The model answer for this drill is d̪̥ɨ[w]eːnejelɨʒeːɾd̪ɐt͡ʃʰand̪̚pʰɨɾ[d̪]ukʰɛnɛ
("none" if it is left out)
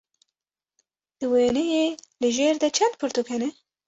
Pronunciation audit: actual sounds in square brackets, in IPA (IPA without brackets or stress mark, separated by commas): w, t̪